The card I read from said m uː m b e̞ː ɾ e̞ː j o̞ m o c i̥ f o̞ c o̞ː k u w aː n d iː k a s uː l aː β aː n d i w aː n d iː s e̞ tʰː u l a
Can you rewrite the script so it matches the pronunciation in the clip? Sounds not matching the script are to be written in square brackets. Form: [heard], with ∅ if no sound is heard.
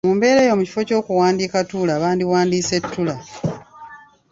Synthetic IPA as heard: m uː m b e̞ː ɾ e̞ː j o̞ m [u] c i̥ f o̞ c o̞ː k u w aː n d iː k a [t] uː l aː β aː n d i w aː n d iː s e̞ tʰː u l a